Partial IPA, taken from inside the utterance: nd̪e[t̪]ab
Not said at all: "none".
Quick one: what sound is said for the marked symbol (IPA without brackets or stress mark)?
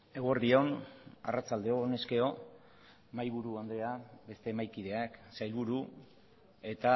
none